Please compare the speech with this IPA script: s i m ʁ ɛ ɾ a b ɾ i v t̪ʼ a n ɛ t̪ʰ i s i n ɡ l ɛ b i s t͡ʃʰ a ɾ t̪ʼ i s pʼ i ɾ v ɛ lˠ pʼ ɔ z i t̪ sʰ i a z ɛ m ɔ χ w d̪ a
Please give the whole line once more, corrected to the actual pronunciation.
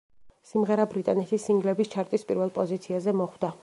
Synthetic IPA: s i m ʁ ɛ ɾ a b ɾ i t̪ʼ a n ɛ t̪ʰ i s i ŋ ɡ l ɛ b i s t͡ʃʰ a ɾ t̪ʼ i s pʼ i ɾ v ɛ lˠ pʼ ɔ z i t̪ sʰ i a z ɛ m ɔ χ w d̪ a